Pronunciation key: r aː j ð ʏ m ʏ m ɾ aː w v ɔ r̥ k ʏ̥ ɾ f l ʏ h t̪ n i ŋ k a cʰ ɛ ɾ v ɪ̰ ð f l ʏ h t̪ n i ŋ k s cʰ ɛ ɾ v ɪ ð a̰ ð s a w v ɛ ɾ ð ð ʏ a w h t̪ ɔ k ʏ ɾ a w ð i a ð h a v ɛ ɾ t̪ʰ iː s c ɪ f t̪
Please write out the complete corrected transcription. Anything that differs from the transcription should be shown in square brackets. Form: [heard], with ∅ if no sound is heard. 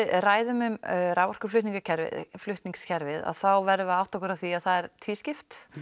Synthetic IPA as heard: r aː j ð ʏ m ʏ m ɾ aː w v ɔ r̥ k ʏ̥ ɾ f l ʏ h t̪ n i ŋ k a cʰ ɛ ɾ v ɪ̰ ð f l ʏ h t̪ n i ŋ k s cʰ ɛ ɾ v ɪ ð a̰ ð [θ] a w v ɛ ɾ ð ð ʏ a w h t̪ ɔ k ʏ ɾ a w [θ] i a ð [θ] a [ð] ɛ ɾ t̪ʰ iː s c ɪ f t̪